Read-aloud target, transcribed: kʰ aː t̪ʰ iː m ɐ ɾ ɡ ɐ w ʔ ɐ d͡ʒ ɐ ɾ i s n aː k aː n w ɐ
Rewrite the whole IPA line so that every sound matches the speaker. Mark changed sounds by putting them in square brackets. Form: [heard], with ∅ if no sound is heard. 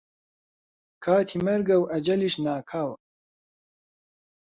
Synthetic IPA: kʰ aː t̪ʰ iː m ɐ ɾ ɡ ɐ w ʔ ɐ d͡ʒ ɐ [l] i [ʃ] n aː [kʰ] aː [∅] w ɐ